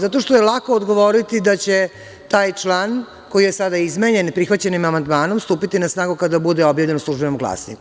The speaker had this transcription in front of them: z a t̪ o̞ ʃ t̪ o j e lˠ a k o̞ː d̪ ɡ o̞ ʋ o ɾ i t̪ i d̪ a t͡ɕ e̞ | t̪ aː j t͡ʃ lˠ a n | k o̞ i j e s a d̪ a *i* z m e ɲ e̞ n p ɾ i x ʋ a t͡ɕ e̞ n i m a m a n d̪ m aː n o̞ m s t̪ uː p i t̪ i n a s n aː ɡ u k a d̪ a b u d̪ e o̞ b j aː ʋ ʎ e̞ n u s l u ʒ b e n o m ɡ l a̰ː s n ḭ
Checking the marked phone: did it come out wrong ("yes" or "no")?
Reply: no